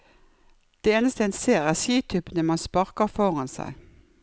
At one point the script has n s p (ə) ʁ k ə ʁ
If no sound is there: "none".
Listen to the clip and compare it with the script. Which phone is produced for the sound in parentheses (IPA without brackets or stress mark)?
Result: ɑ